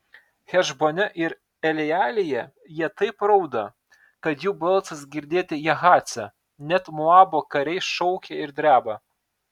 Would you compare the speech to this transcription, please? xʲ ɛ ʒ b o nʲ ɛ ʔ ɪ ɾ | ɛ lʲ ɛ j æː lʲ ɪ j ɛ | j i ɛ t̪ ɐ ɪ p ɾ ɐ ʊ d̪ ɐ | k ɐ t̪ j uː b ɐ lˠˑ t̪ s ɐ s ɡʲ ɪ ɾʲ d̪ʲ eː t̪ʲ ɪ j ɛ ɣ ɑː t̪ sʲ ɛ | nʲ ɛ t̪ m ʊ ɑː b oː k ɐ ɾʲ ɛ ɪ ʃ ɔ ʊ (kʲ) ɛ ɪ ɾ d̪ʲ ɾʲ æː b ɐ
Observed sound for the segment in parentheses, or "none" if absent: kʲ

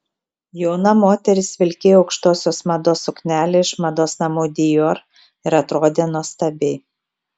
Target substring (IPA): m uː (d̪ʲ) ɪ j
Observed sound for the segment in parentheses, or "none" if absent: d̪ʲ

